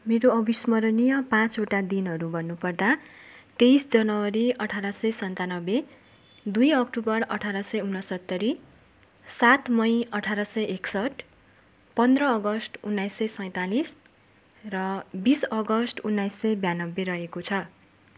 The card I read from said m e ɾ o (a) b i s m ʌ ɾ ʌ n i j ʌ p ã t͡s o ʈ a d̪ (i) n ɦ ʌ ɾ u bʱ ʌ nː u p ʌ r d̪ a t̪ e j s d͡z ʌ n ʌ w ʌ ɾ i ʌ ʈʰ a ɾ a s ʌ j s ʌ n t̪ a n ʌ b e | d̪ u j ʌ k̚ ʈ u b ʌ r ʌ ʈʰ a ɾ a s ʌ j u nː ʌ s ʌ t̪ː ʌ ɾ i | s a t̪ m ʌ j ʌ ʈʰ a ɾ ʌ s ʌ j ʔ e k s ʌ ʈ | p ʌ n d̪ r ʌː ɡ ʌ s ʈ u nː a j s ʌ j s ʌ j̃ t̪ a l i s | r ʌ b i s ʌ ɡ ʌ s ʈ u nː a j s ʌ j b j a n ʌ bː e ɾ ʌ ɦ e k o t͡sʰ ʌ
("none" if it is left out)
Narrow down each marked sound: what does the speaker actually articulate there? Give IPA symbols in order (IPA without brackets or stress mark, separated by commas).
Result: ʌ, i